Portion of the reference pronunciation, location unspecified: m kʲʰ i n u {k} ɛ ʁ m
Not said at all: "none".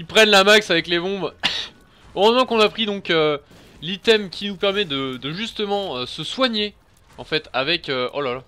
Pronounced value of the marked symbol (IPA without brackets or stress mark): p